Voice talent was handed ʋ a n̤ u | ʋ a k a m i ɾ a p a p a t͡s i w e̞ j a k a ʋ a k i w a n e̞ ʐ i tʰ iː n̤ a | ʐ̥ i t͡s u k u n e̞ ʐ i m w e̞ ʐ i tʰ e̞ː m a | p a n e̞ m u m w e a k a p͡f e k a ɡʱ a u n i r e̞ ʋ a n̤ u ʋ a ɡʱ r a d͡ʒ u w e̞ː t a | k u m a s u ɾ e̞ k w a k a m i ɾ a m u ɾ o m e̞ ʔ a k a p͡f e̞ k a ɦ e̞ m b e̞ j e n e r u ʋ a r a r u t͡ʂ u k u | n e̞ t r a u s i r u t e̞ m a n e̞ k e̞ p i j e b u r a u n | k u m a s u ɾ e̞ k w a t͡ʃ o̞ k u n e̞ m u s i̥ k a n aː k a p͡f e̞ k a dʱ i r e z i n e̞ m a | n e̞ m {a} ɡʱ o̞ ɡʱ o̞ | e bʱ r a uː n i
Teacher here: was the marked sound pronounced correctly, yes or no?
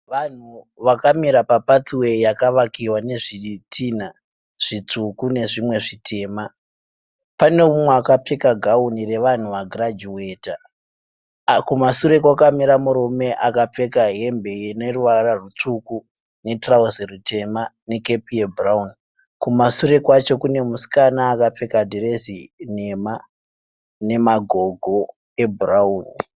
yes